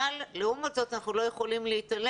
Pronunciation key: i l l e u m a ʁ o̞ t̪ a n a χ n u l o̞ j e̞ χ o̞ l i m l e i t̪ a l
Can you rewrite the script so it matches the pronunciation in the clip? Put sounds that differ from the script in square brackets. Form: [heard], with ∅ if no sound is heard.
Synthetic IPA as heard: [a] l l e u m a [z] o̞ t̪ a n a χ n u l o̞ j e̞ χ o̞ l i m l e i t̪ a l